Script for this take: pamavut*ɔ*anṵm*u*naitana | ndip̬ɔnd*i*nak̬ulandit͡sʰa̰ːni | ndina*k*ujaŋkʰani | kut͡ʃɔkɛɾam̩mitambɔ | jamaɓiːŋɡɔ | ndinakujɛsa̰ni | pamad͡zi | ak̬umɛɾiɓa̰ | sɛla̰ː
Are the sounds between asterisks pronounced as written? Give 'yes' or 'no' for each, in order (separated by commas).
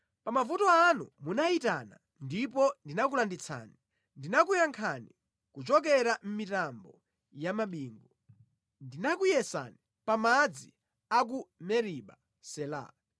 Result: yes, yes, yes, yes